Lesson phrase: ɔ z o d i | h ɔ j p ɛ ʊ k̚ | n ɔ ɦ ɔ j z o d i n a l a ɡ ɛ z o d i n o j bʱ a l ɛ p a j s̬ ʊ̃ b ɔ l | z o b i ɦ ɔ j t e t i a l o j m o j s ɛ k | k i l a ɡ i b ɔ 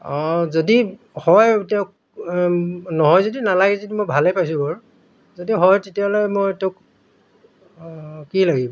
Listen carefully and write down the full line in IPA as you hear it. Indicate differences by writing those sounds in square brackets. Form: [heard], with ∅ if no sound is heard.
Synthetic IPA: ɔ z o d i | h ɔ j [t] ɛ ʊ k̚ | n ɔ ɦ ɔ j z o d i n a l a ɡ ɛ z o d i [m] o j bʱ a l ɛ p a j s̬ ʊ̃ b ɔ [ɹ] | z o [d] i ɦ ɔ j t e t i a l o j m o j [t] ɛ k | k i l a ɡ i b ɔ